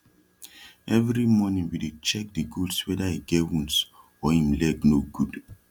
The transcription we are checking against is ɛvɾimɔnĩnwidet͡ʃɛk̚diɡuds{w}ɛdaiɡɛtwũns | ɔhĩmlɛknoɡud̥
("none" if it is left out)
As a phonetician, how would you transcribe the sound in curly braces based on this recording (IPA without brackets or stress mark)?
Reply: w